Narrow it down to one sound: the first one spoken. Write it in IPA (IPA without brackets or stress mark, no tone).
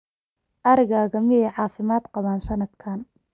ʔ